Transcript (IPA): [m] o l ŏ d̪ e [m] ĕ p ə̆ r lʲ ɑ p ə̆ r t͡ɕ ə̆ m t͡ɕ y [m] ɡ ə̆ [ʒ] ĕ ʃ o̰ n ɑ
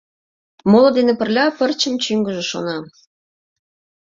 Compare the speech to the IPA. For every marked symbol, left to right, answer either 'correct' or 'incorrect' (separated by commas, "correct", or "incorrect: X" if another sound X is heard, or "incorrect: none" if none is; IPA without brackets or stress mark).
correct, incorrect: n, incorrect: ŋ, correct